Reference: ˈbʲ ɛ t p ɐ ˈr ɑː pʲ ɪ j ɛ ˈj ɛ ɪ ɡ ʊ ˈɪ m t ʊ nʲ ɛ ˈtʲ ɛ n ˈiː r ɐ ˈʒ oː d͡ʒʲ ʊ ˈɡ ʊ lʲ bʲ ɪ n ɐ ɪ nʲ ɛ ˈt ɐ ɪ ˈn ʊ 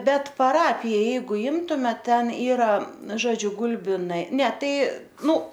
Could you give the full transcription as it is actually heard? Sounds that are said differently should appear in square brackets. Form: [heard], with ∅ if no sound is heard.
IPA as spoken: ˈbʲ ɛ t p ɐ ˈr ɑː pʲ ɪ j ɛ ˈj ɛ ɪ ɡ ʊ ˈɪ m t ʊ [mʲ] ɛ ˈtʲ ɛ n ˈiː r ɐ ˈʒ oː d͡ʒʲ ʊ ˈɡ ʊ lʲ bʲ ɪ n ɐ ɪ nʲ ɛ ˈt ɐ ɪ ˈn ʊ